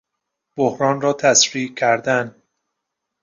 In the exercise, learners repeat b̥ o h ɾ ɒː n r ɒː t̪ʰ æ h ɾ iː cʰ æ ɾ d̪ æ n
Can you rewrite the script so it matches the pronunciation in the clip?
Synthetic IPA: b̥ o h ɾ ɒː n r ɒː t̪ʰ æ s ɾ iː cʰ æ ɾ d̪ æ n